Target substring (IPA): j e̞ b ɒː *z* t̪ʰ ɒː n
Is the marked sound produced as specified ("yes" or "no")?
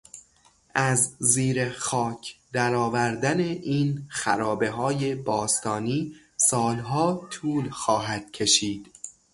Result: no